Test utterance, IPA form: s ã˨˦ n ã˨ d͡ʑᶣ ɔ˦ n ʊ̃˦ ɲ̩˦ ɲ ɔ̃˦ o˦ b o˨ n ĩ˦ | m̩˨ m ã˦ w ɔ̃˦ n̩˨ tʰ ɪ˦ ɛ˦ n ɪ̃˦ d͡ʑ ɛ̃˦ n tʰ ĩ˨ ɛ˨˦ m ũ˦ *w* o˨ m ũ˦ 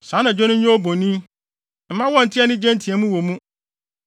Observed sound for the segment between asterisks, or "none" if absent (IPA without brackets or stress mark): w